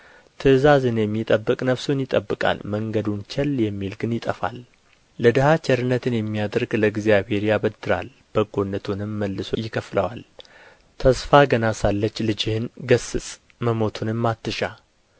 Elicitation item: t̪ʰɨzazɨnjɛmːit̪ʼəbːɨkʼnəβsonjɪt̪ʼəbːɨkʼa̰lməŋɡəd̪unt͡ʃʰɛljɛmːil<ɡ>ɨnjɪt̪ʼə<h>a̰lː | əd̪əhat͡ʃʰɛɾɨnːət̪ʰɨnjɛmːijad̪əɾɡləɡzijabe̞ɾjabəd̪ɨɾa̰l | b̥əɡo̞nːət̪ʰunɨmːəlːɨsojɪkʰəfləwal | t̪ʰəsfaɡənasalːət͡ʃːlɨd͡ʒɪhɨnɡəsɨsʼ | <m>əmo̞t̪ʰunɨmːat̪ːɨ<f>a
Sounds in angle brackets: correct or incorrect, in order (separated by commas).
correct, incorrect, correct, incorrect